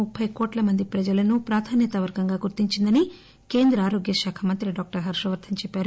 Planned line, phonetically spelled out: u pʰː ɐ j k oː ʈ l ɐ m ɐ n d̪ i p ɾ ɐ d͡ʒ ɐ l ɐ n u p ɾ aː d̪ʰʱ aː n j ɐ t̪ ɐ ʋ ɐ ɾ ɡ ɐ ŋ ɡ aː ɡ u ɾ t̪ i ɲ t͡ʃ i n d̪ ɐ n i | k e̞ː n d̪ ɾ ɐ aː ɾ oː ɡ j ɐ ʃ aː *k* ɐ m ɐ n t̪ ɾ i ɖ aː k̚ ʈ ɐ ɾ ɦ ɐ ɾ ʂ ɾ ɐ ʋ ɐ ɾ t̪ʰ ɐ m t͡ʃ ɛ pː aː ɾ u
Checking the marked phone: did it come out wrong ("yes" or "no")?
yes